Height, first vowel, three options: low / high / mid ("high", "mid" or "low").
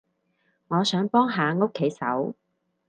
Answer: mid